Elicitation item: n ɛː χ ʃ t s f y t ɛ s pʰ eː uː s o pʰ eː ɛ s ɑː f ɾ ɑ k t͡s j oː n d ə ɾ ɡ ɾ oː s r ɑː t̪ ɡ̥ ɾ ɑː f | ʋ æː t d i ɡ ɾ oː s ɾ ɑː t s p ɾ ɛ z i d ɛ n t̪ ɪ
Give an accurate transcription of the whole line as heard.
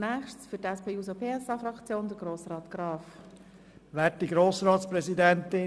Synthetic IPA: n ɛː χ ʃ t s f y t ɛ s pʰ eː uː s o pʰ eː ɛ s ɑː f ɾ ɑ k t͡s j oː n d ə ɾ ɡ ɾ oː s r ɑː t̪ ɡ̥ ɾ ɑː f | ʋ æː t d i ɡ ɾ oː s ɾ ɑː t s p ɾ ɛ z i d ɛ n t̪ ɪ